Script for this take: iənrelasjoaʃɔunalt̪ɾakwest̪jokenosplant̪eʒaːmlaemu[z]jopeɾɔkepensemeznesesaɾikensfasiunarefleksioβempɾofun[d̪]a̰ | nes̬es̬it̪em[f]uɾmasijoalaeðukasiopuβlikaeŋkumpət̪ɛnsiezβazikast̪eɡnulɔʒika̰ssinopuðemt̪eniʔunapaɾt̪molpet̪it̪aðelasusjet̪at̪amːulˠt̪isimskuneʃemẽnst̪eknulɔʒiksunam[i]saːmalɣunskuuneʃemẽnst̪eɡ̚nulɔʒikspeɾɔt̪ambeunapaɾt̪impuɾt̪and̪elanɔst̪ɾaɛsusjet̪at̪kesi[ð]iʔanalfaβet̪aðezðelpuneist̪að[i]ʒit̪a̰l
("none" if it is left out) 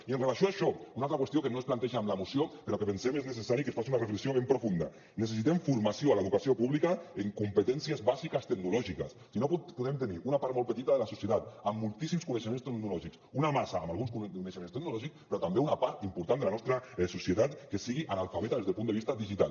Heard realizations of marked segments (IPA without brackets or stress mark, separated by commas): s, d̪, f, a, ɣ, i